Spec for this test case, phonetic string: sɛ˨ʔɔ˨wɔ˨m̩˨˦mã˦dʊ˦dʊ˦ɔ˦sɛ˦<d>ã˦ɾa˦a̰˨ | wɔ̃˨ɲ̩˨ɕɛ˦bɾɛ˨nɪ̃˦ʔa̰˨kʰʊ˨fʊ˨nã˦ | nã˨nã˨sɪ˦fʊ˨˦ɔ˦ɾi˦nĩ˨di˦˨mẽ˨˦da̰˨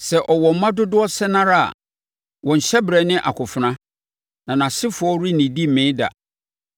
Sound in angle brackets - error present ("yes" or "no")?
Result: yes